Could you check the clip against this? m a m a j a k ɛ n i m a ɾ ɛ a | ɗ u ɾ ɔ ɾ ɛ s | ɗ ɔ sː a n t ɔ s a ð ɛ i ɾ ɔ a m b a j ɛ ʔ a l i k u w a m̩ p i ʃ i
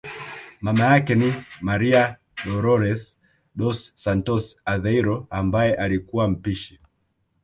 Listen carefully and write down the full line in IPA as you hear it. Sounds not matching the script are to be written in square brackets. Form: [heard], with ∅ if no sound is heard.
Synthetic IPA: m a m a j a k ɛ n i m a ɾ [i] a | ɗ [ɔ] ɾ ɔ ɾ ɛ s | ɗ ɔ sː a n t ɔ s a ð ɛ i ɾ ɔ a m b a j ɛ ʔ a l i k u w a m̩ p i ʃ i